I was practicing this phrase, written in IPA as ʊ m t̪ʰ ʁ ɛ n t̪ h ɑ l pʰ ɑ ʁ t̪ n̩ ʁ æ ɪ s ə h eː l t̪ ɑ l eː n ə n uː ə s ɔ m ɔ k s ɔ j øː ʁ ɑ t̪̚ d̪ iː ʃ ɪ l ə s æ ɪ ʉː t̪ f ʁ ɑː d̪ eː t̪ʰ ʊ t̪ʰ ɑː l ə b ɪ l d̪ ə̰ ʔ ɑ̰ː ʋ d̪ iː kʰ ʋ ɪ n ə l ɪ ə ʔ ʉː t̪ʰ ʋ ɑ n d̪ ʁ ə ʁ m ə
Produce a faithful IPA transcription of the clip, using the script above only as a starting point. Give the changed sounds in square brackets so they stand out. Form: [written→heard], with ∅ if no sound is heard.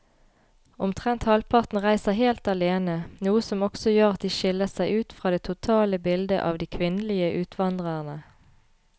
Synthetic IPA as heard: ʊ m t̪ʰ ʁ ɛ n t̪ h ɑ l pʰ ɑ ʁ t̪ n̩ ʁ æ ɪ s ə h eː l t̪ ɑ l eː n ə n uː ə s ɔ m ɔ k s ɔ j øː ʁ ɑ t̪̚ d̪ iː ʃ ɪ l ə s æ ɪ ʉː t̪ f ʁ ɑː d̪ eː t̪ʰ ʊ t̪ʰ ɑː l ə b ɪ l d̪ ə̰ ʔ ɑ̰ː ʋ d̪ iː kʰ ʋ ɪ n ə l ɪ ə ʔ ʉː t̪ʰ ʋ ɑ n d̪ ʁ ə ʁ [m→n] ə